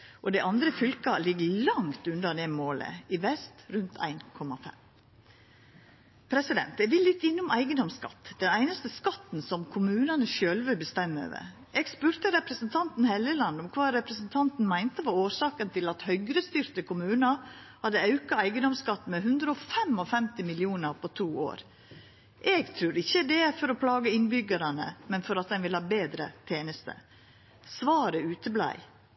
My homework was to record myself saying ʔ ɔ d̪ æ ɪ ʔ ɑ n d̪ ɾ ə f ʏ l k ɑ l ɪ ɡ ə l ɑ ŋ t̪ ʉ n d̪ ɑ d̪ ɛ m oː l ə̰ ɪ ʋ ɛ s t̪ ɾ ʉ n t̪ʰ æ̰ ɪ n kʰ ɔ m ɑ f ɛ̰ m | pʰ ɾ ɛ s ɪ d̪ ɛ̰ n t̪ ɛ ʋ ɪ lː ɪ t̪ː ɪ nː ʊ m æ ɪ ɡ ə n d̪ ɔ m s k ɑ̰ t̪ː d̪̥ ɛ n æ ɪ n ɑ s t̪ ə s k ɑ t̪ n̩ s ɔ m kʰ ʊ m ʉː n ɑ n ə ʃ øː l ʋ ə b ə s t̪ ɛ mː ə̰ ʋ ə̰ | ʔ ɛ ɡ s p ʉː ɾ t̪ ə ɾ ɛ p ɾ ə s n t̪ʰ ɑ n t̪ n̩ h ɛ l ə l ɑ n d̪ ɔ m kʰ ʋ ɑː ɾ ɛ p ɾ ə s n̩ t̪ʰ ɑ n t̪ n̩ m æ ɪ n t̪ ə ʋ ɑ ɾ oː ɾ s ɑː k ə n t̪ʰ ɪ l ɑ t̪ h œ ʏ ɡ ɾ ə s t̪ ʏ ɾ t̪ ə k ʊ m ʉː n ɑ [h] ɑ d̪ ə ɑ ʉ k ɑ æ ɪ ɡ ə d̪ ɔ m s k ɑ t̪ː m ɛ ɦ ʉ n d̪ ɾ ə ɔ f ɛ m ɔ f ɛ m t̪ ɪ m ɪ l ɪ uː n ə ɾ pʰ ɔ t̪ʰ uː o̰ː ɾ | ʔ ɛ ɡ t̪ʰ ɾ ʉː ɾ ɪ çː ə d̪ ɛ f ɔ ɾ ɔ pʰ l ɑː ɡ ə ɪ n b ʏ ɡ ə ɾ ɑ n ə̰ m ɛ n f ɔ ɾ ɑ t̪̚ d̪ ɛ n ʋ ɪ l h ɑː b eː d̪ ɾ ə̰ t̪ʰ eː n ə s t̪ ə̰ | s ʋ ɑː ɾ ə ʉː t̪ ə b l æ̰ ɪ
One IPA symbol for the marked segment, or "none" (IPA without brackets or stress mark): h